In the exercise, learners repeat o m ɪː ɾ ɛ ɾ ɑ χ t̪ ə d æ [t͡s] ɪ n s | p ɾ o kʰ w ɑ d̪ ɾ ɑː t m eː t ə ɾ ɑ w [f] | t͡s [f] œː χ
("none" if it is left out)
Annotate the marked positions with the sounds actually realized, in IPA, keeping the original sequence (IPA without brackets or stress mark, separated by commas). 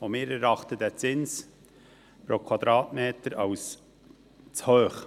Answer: t͡s, s, h